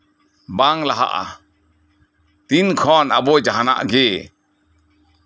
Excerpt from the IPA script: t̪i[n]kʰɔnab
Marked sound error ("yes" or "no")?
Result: no